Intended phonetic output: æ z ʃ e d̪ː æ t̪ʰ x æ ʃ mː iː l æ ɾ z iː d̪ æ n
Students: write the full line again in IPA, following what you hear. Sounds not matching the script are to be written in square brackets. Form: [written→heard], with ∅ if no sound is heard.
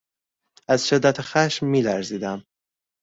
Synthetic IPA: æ z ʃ e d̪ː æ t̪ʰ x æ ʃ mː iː l æ ɾ z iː d̪ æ [n→m]